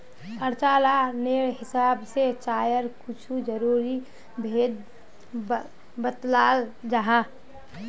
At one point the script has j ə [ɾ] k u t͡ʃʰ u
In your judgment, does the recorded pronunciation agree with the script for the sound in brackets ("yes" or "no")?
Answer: yes